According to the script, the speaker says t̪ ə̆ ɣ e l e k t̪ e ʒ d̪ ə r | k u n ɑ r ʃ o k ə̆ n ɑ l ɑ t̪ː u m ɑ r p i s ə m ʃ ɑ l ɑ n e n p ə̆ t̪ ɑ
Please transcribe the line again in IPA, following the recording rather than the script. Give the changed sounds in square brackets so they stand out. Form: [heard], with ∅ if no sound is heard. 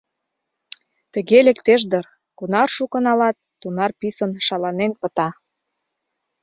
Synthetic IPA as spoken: t̪ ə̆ ɣ e l e k t̪ e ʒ d̪ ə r | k u n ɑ r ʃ [u] k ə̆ n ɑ l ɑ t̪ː u [n] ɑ r p i s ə [n] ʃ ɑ l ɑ n e n p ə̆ t̪ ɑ